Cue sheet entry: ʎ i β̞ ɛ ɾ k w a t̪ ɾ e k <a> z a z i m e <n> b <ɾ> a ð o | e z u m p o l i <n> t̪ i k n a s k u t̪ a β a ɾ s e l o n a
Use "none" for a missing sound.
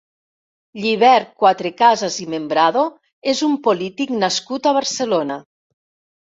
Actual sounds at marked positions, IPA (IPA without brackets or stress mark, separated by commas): a, m, ɾ, none